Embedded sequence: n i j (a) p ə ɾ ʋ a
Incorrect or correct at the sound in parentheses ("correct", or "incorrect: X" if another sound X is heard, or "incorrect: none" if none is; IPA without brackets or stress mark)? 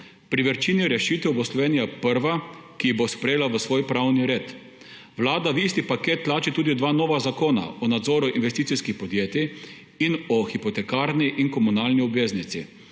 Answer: correct